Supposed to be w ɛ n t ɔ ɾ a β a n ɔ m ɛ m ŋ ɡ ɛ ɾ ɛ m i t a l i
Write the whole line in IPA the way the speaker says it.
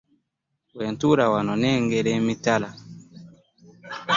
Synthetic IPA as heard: w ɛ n t u ɾ a w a n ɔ n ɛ ŋ ɡ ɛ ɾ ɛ m i t a l a